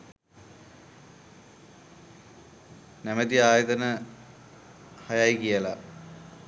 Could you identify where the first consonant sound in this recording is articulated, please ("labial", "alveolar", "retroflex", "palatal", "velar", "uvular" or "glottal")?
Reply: alveolar